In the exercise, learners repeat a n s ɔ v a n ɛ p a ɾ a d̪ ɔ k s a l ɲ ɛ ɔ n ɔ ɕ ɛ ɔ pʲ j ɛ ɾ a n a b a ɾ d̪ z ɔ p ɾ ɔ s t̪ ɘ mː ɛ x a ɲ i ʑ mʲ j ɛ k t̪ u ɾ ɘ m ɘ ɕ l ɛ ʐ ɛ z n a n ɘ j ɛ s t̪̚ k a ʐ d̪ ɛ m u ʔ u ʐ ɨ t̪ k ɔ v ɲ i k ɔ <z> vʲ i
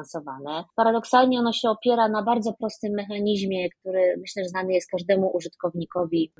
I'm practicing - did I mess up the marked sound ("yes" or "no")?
yes